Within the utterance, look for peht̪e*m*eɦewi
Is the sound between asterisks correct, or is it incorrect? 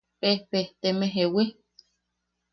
correct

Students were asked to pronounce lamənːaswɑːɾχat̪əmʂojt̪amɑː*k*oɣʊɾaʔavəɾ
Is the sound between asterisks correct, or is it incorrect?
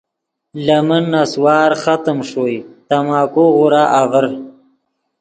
correct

